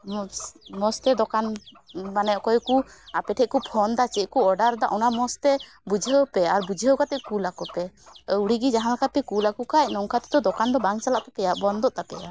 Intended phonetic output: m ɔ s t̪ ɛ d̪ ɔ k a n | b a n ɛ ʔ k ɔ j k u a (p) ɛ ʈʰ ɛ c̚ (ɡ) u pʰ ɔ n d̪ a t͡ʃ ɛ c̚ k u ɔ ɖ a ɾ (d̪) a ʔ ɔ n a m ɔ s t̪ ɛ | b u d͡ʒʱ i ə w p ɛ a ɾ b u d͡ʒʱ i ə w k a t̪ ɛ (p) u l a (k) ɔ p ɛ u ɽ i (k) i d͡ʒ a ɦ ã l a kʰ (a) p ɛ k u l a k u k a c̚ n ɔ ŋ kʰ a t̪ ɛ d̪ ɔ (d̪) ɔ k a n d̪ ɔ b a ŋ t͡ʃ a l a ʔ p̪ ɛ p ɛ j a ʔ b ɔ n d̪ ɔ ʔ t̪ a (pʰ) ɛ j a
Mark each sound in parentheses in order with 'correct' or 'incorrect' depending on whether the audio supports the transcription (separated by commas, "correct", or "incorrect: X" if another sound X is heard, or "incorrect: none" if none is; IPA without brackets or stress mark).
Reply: correct, incorrect: k, correct, incorrect: k, correct, incorrect: ɡ, correct, correct, incorrect: p